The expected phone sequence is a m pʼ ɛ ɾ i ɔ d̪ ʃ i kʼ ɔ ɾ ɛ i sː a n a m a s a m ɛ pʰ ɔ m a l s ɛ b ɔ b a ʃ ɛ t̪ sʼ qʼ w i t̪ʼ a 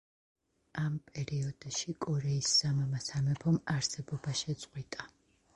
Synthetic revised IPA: a m pʼ ɛ ɾ i ɔ d̪ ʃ i kʼ ɔ ɾ ɛ i sː a m a m a s a m ɛ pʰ ɔ m a ɾ s ɛ b ɔ b a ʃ ɛ t̪ sʼ qʼ w i t̪ʼ a

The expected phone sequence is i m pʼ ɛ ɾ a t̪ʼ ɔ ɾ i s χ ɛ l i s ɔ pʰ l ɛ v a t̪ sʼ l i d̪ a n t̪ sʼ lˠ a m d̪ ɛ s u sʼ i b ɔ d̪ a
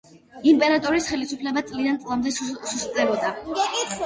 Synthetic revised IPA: i m pʼ ɛ ɾ a t̪ʼ ɔ ɾ i s χ ɛ l i s u pʰ l ɛ b a t̪ sʼ l i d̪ a n t̪ sʼ lˠ a m d̪ ɛ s u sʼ ɛ b ɔ d̪ a

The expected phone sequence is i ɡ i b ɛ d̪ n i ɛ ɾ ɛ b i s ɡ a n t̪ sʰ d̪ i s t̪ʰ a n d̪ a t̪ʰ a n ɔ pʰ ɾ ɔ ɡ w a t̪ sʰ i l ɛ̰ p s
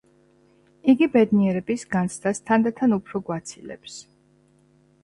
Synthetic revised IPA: i ɡ i b ɛ d̪ n i ɛ ɾ ɛ b i s ɡ a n t̪ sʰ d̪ a s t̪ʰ a n d̪ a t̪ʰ a n u pʰ ɾ ɔ ɡ w a t̪ sʰ i l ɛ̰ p s

